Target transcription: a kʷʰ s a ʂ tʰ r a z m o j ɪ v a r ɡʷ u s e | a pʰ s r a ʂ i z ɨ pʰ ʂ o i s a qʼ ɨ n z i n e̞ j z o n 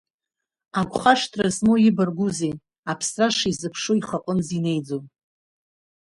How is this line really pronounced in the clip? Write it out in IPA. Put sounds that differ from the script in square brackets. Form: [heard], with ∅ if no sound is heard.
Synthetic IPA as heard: a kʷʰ [χ] a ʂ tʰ r a z m o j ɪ [b] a r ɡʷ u [z] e | a pʰ s r a ʂ i z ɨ pʰ ʂ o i [χ] a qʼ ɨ n z i n e̞ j [d͡z] o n